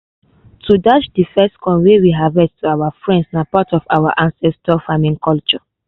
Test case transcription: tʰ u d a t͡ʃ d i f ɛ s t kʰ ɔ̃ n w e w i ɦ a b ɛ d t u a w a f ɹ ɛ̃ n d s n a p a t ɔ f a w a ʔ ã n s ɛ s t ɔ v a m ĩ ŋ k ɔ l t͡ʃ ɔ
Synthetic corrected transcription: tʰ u d a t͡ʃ d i f ɛ s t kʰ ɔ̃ n w e w i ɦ a v ɛ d t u a w a f ɹ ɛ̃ n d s n a p a t ɔ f a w a ʔ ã n s ɛ s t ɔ f a m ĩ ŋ k ɔ l t͡ʃ ɔ